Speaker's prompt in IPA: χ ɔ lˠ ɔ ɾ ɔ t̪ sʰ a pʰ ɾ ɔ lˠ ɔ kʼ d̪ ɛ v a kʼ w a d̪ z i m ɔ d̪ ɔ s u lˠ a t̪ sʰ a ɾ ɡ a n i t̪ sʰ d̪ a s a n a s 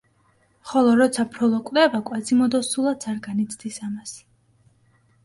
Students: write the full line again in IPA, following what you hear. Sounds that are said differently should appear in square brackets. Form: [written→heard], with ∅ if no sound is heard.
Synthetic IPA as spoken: χ ɔ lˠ ɔ ɾ ɔ t̪ sʰ a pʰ ɾ ɔ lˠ ɔ kʼ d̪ ɛ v a kʼ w a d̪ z i m ɔ d̪ ɔ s u lˠ a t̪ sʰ a ɾ ɡ a n i t̪ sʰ d̪ [a→i] s a [n→m] a s